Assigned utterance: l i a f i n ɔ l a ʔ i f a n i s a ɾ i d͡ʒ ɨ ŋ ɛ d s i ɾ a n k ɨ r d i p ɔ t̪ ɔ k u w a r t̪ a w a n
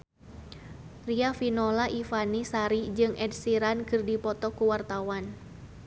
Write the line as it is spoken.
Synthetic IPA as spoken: r i a f i n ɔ l a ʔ i f a n i s a ɾ i d͡ʒ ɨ ŋ ɛ d s i ɾ a n k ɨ r d i p ɔ t̪ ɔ k u w a r t̪ a w a n